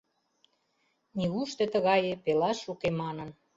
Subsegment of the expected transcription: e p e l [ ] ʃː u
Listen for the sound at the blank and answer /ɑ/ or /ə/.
ɑ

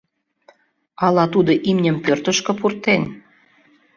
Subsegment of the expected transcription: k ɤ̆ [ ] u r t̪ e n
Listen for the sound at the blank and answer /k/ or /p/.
p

